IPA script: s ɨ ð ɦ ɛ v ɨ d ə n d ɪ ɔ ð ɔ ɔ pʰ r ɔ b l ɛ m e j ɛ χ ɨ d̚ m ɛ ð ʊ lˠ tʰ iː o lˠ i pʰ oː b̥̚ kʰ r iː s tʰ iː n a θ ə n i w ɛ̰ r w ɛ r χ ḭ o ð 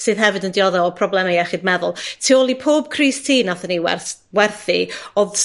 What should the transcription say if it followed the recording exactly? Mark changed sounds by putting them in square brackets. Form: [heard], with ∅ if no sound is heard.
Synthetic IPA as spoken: s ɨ ð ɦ ɛ v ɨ d ə n d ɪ ɔ ð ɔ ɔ pʰ r ɔ b l ɛ m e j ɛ χ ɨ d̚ m ɛ ð ʊ lˠ tʰ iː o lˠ i pʰ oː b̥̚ kʰ r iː s tʰ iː n a θ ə n i w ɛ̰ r w ɛ r [θ] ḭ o ð